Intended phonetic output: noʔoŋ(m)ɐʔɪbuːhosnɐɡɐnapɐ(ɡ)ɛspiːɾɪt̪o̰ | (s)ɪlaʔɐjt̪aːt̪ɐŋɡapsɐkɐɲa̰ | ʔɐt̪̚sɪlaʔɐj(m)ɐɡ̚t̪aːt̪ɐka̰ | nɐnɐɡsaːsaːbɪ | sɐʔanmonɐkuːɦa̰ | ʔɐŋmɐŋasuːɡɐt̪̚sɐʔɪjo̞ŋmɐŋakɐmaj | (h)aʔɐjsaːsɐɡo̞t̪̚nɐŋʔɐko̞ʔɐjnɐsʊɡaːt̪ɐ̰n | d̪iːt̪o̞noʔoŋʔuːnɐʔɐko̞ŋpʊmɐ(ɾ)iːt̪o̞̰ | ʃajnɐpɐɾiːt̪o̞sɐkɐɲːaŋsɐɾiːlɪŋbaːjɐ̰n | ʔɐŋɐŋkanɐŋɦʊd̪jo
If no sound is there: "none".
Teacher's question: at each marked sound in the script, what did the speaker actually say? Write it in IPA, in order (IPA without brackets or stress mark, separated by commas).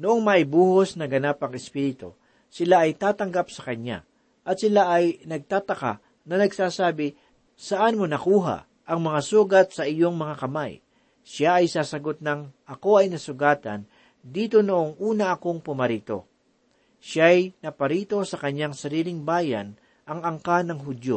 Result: m, ŋ, s, n, ʃ, ɾ